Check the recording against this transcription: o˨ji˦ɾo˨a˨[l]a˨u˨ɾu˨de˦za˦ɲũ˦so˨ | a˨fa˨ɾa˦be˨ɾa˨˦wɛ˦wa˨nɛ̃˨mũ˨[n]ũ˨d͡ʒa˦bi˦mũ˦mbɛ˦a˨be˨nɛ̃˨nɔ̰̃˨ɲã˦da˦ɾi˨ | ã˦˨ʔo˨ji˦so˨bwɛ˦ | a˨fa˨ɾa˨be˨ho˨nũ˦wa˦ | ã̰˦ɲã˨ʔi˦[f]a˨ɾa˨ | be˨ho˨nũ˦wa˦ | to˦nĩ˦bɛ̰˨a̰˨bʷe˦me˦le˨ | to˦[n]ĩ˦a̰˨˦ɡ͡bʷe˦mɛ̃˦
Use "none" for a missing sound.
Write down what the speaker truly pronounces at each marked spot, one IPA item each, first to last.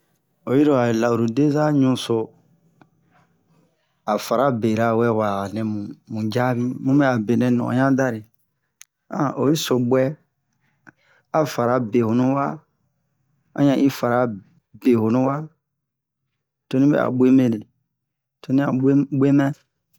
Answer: l, m, f, n

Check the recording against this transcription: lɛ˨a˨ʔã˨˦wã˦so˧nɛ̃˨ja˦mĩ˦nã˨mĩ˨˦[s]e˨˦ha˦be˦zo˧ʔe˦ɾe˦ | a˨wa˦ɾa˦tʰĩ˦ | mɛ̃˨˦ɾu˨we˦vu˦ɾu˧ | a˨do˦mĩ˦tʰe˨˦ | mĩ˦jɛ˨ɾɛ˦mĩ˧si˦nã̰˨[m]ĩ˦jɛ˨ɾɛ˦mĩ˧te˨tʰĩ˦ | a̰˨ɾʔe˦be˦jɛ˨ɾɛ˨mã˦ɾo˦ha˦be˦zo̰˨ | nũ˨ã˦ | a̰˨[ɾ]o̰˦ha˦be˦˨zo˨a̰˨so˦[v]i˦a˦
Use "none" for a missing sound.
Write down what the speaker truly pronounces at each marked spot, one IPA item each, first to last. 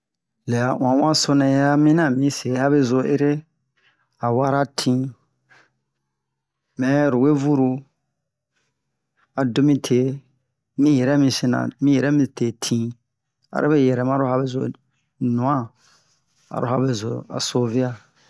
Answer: s, m, ɾ, v

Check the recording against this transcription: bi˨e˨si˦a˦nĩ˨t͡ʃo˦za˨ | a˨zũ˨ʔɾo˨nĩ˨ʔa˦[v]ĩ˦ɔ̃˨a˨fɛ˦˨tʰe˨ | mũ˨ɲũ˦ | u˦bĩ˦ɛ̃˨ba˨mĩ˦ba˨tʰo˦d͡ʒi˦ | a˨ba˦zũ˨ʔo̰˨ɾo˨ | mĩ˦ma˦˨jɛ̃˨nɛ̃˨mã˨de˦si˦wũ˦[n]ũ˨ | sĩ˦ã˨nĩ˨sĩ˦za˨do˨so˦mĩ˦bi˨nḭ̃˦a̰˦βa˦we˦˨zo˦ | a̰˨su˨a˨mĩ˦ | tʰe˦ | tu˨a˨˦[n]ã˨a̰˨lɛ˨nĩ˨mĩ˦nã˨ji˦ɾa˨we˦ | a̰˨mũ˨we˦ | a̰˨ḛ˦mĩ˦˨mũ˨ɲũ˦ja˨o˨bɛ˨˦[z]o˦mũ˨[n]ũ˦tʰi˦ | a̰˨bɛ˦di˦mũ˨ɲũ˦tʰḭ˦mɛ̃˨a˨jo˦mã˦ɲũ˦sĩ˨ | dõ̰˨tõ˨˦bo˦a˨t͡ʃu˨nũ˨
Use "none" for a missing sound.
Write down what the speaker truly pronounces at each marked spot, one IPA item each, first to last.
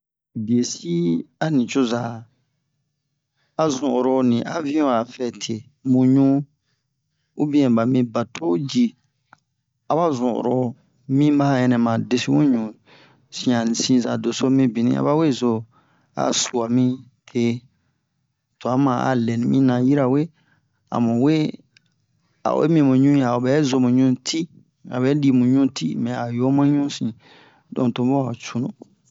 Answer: v, ɲ, m, z, ɲ

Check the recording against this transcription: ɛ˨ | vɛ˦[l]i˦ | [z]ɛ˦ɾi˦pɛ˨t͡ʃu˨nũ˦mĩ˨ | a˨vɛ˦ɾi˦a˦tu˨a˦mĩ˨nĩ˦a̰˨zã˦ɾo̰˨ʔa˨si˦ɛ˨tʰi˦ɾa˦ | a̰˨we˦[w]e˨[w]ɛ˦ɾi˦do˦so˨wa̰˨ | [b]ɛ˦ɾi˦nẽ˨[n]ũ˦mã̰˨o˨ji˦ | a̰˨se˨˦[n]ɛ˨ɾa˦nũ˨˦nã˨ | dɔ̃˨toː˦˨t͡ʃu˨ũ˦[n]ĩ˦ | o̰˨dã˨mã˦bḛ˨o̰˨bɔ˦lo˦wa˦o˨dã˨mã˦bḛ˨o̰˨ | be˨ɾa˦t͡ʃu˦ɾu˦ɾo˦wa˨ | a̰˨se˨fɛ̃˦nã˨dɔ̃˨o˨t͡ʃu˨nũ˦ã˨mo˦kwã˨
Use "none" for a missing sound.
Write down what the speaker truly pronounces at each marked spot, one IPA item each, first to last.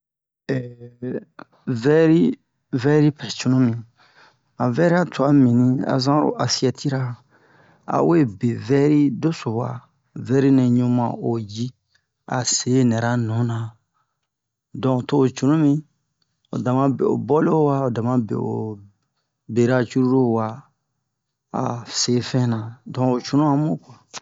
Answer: ɾ, v, b, v, v, ɲ, n, m

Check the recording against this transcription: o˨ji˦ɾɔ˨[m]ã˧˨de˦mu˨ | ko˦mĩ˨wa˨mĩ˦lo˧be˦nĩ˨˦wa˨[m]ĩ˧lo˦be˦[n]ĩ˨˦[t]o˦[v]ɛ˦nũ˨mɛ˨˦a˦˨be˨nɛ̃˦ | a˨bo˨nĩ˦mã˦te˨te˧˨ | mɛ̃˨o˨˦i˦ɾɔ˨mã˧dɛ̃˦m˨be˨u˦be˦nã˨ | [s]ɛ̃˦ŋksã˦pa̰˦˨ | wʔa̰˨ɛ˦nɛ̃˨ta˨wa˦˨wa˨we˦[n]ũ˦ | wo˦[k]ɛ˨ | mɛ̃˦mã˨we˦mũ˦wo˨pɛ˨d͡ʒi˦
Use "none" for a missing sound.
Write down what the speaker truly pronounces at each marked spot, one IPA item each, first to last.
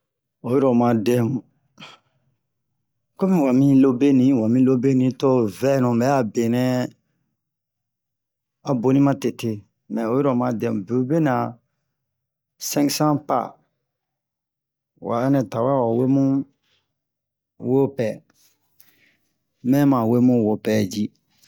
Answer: m, m, n, t, v, s, m, p

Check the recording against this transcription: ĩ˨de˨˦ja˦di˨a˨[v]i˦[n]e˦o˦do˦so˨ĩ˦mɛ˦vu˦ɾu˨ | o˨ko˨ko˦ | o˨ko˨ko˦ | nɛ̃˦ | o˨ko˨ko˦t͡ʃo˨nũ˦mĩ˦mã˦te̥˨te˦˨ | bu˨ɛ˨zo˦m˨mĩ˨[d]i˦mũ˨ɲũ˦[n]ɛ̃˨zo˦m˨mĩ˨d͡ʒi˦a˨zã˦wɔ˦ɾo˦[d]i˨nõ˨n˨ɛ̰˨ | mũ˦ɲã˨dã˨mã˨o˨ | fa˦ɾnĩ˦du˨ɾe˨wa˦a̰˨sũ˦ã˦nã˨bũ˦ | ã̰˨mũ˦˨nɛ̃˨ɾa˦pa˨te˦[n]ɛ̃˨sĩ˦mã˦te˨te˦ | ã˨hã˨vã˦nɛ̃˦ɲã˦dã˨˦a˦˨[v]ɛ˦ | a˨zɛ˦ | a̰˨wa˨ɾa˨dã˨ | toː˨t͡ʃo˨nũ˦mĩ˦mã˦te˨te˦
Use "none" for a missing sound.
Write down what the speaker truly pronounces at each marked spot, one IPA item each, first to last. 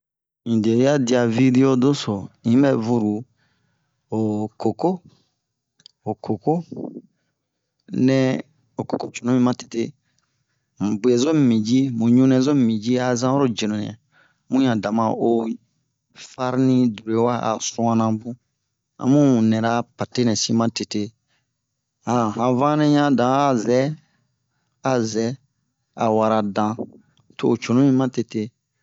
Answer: v, d, d͡ʒ, n, d͡ʒ, n, z

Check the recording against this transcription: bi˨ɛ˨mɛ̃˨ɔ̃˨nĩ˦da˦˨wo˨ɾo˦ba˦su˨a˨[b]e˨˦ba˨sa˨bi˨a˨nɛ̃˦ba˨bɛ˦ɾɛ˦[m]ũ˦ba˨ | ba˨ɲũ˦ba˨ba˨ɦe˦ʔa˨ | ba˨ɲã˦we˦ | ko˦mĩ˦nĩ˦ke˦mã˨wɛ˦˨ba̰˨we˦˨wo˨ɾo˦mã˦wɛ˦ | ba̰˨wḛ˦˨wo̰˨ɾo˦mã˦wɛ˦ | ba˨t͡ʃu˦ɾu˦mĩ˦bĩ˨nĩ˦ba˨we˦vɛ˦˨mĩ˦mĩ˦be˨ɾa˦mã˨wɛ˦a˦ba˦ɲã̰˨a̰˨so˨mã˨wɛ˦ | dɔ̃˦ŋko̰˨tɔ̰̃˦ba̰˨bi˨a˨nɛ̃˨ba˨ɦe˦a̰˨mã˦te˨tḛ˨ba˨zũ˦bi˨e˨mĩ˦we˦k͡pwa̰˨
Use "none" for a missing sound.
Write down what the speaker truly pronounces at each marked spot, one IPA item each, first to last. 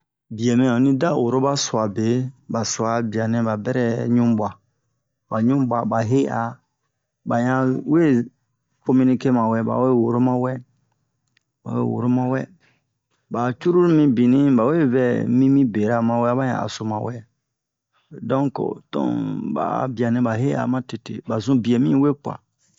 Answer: b, ɲ

